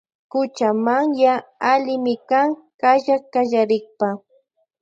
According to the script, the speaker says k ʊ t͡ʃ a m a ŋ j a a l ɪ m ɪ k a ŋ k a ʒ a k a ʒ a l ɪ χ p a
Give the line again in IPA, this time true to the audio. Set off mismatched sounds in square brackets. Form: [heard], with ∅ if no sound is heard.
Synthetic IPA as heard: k ʊ t͡ʃ a m a ŋ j a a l ɪ m ɪ k a ŋ k a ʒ a k a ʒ a [ɾ] ɪ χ p a